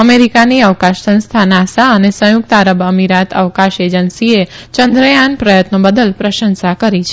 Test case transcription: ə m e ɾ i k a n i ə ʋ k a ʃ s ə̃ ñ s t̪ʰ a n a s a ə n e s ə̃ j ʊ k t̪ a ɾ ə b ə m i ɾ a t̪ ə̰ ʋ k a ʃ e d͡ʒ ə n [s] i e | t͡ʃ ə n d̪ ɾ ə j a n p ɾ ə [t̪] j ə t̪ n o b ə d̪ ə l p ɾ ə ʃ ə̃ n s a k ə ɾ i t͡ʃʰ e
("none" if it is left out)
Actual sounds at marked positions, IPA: s, none

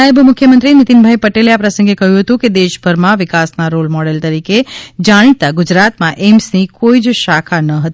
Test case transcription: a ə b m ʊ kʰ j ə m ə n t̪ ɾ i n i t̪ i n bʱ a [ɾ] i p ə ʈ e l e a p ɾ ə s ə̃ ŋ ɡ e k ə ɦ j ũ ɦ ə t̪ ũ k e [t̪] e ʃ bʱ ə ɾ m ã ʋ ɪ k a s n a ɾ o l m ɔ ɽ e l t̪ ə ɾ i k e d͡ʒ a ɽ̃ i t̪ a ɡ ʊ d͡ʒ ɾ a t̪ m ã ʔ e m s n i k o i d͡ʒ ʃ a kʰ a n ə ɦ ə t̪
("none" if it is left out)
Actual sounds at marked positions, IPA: none, d̪

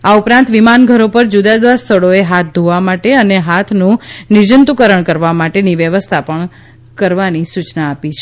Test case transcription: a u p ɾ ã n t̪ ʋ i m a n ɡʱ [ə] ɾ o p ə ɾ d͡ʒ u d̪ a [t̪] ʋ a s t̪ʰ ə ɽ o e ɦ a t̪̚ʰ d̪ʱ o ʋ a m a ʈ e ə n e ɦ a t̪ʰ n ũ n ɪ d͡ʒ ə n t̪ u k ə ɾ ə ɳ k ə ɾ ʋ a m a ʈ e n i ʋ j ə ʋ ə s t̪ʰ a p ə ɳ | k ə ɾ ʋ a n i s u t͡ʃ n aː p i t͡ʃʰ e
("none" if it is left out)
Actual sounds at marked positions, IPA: ə, d̪

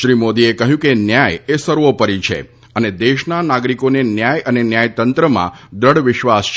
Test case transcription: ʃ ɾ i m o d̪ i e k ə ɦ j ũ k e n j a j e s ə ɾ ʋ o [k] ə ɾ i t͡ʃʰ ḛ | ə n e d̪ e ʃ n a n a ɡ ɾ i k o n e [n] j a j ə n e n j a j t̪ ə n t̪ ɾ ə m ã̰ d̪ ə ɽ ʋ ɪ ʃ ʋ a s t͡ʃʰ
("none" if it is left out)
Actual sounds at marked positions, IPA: p, n

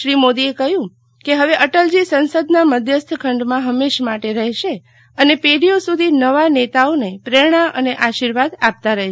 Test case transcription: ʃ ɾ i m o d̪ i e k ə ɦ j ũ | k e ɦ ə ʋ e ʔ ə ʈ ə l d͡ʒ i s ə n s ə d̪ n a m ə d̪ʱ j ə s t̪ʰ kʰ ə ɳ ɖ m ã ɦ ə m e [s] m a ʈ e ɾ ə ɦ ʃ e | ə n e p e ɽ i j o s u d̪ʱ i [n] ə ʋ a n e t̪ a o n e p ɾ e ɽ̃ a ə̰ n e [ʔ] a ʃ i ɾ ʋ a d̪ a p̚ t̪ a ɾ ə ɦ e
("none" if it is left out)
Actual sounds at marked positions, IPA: ʃ, n, ʔ

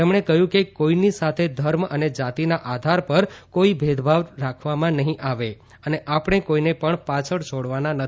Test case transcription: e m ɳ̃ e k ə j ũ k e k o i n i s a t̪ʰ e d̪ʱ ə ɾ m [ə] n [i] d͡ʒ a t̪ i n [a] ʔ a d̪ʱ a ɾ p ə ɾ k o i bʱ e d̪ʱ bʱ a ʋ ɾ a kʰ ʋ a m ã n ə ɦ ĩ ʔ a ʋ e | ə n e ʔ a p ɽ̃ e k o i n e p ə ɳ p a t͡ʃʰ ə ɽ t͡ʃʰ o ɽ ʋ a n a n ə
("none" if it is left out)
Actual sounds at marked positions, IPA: ə, e, a

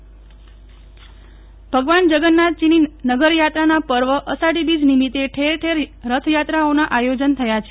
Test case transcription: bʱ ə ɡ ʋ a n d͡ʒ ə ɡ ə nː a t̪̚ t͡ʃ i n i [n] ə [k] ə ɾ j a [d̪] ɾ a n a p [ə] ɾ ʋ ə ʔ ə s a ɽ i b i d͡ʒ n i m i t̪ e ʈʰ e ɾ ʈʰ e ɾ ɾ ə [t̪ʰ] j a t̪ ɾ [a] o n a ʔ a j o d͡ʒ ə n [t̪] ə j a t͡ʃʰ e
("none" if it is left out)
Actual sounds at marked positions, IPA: n, ɡ, t̪, ə, t̪ʰ, a, t̪ʰ

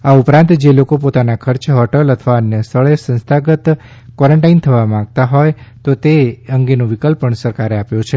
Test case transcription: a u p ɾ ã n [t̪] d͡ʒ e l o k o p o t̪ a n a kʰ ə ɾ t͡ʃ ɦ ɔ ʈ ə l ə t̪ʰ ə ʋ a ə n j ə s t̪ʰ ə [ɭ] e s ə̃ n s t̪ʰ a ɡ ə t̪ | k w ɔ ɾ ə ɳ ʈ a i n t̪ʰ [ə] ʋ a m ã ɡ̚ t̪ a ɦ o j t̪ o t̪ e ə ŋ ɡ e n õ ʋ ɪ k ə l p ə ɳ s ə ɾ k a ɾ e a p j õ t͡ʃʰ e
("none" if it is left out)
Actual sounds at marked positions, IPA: t̪, ɭ, ə

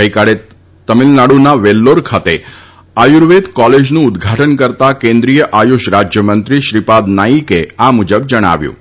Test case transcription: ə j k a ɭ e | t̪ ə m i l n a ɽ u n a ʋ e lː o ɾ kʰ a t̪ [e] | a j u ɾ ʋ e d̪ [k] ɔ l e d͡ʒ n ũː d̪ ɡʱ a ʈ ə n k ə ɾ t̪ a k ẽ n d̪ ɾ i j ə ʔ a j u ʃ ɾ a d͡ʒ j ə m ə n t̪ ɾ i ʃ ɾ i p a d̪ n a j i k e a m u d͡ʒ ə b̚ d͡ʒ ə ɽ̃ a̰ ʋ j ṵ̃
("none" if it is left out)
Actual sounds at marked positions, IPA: e, k

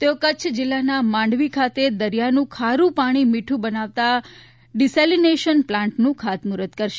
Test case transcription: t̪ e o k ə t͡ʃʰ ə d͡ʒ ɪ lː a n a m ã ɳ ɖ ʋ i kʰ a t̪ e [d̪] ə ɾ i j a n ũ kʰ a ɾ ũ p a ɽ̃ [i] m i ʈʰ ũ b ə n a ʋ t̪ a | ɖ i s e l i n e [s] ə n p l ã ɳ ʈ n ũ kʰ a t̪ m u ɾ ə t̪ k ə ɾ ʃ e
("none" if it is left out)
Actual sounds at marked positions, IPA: d̪, i, ʃ

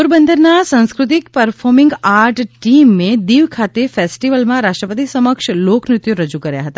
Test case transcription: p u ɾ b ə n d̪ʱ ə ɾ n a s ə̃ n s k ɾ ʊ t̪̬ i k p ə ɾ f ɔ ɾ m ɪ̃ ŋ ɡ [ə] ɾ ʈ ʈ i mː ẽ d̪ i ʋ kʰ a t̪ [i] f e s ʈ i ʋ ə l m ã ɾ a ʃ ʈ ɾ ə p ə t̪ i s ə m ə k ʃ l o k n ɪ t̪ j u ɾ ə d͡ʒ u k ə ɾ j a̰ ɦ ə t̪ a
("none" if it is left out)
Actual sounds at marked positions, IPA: a, e

